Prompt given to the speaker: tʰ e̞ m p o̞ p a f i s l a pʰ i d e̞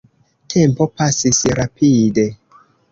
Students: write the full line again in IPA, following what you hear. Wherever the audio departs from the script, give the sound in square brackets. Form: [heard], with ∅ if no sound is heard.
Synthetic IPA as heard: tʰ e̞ m p o̞ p a [s] i s [ɾ] a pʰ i d e̞